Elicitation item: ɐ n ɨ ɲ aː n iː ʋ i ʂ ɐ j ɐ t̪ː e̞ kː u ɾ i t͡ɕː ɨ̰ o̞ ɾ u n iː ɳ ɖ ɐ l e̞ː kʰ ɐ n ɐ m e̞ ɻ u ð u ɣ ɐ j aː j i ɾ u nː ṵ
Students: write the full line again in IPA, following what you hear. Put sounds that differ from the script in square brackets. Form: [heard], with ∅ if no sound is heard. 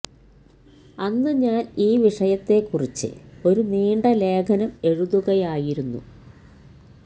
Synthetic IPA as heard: ɐ [nː] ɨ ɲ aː n iː ʋ i ʂ ɐ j ɐ t̪ː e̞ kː u [r] i t͡ɕː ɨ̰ o̞ ɾ u n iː ɳ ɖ ɐ l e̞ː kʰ ɐ n ɐ m e̞ ɻ u ð u ɣ ɐ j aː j i ɾ u nː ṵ